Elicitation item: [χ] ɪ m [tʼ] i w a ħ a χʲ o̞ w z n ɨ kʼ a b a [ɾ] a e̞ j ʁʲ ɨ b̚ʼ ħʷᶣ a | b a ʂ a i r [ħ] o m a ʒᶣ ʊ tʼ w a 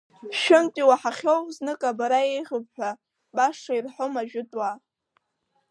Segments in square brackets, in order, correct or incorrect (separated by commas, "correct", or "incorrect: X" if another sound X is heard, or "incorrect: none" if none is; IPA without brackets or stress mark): incorrect: ʃ, correct, correct, correct